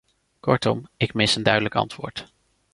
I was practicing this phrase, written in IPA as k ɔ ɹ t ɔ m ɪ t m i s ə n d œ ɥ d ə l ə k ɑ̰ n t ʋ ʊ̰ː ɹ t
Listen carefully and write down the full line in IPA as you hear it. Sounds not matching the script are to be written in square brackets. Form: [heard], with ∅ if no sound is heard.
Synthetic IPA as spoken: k ɔ ɹ t ɔ m ɪ [k] m [ɪ] s ə n d œ ɥ d ə l ə k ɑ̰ n t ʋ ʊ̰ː ɹ t